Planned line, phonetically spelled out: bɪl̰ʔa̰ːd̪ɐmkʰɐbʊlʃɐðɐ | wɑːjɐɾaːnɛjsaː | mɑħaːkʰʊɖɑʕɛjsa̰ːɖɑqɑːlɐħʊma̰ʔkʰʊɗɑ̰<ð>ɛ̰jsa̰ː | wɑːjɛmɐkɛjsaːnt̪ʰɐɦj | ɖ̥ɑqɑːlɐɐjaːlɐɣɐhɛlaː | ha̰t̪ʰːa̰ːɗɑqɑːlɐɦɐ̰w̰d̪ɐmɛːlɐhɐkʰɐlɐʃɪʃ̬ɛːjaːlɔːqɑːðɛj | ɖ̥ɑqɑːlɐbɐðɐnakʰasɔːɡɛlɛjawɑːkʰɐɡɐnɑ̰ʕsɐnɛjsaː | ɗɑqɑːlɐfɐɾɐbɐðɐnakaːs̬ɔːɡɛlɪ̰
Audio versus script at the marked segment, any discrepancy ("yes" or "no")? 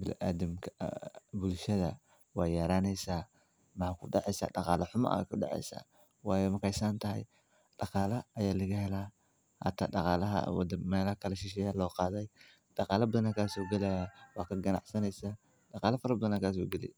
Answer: yes